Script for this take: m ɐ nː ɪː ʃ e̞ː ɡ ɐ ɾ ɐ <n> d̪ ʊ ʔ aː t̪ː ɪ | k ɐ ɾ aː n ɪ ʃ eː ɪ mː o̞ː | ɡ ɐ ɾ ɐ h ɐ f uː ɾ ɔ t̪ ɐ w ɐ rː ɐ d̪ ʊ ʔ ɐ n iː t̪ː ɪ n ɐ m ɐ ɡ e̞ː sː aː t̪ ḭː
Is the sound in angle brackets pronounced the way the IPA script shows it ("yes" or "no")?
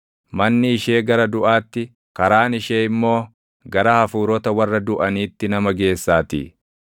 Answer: no